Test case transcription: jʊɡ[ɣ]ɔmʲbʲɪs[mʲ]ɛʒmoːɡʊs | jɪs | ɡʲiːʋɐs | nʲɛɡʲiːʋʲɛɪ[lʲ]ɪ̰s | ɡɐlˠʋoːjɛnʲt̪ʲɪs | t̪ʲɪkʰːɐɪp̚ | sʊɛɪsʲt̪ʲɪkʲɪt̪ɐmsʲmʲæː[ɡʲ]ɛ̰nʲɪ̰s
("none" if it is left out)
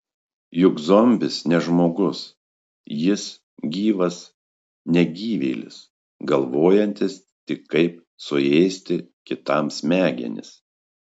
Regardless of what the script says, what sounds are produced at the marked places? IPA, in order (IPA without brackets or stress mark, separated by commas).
z, nʲ, lʲ, ɡʲ